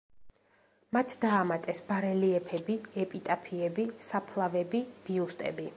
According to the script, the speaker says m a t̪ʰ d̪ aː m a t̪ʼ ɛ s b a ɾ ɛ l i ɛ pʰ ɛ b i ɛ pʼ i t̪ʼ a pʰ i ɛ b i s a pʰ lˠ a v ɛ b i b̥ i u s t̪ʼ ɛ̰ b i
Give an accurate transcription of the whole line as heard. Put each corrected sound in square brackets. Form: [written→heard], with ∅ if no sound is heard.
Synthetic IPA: m a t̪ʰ d̪ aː m a t̪ʼ ɛ s b a ɾ ɛ l i ɛ pʰ ɛ b i ɛ pʼ i t̪ʼ a pʰ i ɛ b i s a pʰ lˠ a v ɛ b i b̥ i u s t̪ʼ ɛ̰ b i